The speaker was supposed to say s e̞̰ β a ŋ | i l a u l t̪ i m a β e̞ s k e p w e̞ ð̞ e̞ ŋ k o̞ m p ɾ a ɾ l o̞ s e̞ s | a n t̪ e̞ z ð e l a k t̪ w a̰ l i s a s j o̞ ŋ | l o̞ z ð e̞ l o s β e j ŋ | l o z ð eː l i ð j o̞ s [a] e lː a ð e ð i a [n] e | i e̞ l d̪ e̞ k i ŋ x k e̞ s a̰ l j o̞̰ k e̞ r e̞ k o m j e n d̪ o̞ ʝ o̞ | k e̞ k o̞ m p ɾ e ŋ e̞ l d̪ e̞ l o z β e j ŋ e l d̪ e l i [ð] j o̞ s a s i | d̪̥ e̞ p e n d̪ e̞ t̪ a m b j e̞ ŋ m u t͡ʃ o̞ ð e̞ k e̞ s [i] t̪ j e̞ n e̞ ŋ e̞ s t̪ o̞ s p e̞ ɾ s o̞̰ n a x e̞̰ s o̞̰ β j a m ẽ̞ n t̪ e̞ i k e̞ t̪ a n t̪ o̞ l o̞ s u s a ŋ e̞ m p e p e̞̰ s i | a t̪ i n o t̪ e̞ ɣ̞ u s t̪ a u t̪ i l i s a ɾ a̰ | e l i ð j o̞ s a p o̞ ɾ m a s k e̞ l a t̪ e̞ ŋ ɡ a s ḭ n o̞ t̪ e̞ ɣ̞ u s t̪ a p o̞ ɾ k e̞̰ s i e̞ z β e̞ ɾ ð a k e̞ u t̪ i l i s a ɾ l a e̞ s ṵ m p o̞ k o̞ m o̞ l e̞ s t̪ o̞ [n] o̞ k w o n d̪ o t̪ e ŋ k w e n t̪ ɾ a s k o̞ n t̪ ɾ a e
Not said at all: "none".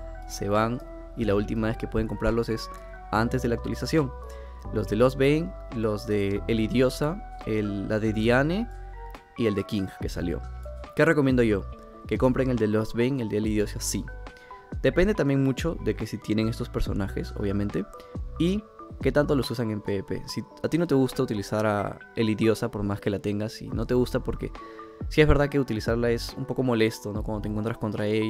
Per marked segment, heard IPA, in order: a, n, ð, i, n

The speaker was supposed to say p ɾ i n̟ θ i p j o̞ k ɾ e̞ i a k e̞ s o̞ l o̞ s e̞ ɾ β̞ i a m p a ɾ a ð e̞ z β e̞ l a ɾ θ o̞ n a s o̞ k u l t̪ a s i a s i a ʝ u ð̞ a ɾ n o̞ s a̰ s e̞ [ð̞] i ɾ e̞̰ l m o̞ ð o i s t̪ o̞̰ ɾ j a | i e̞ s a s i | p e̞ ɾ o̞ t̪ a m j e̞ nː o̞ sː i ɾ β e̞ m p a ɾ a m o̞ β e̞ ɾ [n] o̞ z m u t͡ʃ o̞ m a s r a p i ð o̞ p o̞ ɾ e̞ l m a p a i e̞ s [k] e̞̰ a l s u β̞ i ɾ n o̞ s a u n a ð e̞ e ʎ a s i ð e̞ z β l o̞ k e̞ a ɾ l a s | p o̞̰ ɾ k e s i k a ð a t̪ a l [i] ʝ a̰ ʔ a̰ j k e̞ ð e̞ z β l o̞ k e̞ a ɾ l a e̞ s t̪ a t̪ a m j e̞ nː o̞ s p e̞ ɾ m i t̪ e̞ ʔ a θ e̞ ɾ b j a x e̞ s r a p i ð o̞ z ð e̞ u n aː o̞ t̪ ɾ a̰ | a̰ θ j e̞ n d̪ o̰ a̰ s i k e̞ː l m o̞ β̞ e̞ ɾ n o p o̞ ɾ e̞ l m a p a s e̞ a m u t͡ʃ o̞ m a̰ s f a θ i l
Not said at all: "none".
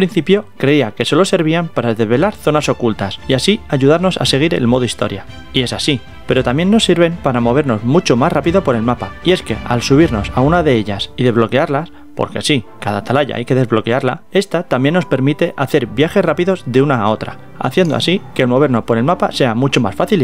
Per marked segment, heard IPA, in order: ɣ̞, n, k, a

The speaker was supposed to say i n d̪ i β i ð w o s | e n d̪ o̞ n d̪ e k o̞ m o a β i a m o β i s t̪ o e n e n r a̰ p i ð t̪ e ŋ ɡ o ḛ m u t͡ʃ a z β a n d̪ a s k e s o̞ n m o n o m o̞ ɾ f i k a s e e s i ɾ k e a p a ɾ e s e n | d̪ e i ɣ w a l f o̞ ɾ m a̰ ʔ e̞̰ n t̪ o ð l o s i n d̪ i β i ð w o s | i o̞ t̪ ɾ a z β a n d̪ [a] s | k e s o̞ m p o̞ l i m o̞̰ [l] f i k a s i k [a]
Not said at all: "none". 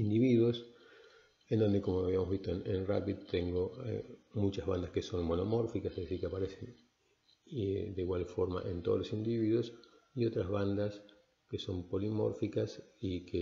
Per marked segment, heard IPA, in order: a, ɾ, e

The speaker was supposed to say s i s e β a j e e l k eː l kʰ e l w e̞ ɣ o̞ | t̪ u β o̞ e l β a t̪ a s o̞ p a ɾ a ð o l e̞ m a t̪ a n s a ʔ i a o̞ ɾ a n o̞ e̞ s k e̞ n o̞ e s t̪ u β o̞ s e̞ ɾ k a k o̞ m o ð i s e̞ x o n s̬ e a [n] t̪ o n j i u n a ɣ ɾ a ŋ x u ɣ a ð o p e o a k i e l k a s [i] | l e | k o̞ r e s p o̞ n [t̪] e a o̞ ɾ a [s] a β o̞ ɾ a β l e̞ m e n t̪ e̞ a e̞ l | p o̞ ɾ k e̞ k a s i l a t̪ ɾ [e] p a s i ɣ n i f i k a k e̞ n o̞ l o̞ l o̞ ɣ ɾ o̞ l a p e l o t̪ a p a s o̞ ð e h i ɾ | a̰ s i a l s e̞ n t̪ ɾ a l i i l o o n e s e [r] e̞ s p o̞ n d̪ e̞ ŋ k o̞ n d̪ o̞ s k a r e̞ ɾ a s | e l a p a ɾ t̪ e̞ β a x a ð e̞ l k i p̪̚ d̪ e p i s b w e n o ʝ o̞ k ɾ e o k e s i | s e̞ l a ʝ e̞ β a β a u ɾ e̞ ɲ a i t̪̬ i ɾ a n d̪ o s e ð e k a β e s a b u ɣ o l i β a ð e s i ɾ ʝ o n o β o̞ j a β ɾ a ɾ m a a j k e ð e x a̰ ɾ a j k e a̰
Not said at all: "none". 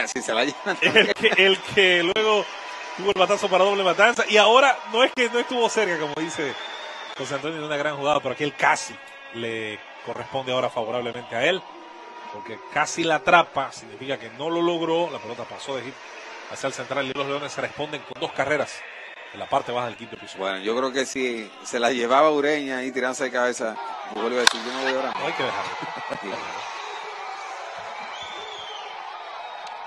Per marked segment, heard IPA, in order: n, i, d̪, f, a, r

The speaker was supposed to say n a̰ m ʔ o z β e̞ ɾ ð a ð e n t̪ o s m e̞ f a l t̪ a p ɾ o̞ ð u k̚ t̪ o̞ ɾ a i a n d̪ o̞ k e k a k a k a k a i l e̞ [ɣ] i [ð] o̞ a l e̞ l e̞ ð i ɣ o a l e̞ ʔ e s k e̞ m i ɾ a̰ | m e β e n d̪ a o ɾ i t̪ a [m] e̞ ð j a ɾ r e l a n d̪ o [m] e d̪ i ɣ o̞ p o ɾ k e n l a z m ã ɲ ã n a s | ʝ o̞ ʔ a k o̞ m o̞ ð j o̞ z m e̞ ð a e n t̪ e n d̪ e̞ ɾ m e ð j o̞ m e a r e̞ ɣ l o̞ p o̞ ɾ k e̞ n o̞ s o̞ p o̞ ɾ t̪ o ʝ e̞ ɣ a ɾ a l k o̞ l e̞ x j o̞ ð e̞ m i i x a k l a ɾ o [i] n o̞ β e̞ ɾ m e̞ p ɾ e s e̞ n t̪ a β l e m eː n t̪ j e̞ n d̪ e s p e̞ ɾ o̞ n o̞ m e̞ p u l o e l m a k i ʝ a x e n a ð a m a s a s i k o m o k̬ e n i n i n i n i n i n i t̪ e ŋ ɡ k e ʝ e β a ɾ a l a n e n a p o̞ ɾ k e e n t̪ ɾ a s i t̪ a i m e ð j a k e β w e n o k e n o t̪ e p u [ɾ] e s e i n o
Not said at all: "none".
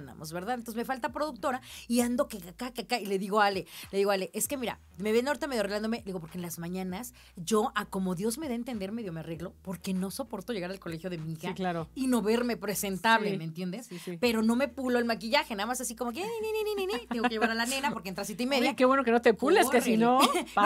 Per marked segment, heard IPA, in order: ð, ɣ, m, m, i, l

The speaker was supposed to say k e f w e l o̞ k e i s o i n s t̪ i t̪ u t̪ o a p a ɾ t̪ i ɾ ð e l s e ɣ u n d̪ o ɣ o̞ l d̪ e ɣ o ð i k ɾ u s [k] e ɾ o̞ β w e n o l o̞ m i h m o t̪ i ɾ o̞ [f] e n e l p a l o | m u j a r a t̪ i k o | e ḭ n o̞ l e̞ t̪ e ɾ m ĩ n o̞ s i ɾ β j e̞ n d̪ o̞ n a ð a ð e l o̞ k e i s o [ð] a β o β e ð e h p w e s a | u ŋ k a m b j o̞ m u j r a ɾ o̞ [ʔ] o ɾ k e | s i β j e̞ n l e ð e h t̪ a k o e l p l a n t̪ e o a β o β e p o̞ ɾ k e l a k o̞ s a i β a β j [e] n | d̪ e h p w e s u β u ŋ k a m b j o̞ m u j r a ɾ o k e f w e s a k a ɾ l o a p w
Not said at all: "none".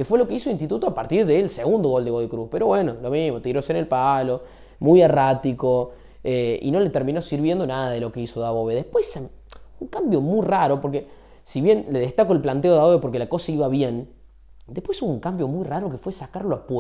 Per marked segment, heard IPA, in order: p, s, ð, p, e

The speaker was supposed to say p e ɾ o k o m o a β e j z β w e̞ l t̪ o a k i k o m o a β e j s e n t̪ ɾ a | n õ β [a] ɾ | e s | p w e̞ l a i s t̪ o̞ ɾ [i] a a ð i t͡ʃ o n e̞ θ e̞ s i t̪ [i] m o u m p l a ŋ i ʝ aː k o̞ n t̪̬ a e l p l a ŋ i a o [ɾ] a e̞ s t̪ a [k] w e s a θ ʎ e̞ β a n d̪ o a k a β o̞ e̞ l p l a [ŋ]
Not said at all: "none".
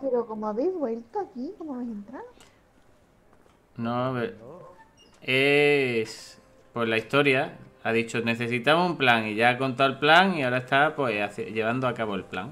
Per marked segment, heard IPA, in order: e, j, a, ɾ, p, ŋ

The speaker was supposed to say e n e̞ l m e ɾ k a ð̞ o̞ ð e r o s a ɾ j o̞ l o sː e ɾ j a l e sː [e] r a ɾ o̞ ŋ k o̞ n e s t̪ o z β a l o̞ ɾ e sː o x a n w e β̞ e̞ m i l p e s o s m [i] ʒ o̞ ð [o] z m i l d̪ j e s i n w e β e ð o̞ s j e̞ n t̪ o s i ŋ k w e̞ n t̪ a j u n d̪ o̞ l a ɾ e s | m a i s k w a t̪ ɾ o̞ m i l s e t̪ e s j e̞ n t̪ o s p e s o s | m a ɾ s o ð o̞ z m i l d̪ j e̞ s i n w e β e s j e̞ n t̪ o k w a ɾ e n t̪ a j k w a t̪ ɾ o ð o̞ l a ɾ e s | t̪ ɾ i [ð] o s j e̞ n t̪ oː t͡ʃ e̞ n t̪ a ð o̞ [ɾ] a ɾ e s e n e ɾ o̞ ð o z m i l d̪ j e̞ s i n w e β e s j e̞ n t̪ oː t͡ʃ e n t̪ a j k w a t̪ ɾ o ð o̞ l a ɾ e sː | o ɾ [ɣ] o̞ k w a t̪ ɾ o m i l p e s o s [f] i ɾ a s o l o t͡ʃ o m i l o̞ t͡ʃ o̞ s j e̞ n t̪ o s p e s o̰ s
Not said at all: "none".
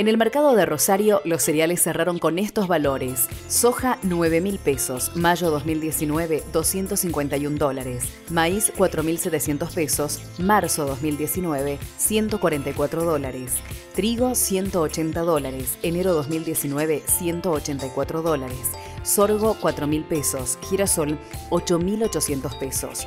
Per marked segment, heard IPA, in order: e, a, o, ɣ, l, ɣ, x

